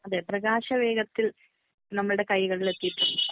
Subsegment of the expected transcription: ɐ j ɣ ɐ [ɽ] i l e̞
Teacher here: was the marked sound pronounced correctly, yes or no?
no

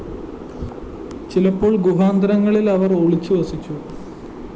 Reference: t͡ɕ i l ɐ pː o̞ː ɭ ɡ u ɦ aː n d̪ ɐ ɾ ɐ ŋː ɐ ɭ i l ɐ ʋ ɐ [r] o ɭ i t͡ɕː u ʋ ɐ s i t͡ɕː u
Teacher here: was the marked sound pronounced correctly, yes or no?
yes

